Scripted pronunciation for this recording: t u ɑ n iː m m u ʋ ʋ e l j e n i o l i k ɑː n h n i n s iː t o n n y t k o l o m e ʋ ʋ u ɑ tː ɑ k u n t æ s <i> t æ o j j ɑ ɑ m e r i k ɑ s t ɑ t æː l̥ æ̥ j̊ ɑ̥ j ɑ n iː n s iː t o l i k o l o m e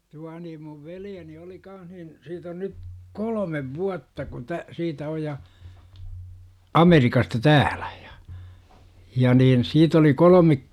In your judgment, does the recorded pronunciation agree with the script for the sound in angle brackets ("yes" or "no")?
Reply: no